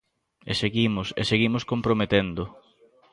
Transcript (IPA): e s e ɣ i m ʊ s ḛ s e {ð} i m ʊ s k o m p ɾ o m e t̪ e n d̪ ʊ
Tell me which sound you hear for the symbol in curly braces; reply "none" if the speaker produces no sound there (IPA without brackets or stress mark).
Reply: ɣ